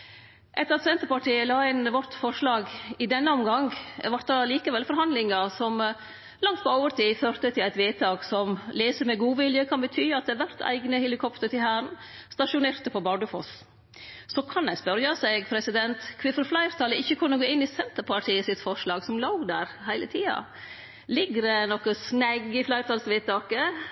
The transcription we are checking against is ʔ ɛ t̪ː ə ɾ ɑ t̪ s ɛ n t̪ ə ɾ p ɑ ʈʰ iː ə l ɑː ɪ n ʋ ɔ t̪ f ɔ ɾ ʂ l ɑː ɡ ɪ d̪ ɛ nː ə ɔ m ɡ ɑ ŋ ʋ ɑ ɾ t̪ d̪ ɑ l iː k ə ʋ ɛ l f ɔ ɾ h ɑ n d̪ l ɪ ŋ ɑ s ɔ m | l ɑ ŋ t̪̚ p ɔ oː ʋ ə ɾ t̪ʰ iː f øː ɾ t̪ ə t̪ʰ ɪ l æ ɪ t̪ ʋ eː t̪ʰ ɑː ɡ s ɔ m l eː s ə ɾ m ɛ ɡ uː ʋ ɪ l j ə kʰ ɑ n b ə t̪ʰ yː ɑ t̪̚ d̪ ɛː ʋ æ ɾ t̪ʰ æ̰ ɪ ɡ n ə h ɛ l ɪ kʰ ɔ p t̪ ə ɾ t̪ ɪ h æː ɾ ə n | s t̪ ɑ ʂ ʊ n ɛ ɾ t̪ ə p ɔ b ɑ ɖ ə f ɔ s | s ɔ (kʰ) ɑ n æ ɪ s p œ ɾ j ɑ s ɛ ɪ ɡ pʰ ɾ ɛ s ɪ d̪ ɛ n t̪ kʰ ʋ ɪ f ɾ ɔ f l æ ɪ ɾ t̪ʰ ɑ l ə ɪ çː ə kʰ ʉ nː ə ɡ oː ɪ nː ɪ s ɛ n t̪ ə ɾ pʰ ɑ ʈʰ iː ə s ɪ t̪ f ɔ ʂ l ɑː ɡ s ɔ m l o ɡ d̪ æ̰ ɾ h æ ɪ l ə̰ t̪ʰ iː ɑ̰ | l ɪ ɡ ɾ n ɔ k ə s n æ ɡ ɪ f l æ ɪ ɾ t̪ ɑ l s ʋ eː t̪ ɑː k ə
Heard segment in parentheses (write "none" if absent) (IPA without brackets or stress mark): kʰ